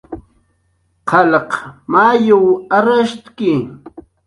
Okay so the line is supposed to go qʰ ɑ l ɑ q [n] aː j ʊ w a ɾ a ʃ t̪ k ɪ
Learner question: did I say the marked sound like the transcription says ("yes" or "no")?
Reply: no